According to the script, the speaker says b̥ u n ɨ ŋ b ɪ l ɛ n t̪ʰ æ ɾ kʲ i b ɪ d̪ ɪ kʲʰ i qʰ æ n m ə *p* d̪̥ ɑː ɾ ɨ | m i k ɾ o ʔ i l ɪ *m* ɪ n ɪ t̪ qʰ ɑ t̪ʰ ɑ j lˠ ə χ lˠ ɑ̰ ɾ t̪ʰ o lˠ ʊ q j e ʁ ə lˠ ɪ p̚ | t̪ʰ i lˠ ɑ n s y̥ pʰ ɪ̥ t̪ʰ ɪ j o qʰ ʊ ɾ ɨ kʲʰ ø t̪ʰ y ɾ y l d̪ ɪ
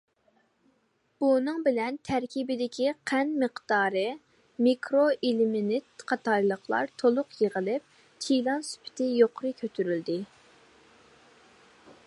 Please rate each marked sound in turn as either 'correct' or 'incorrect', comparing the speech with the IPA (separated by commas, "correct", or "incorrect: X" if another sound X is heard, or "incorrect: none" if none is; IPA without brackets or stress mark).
incorrect: q, correct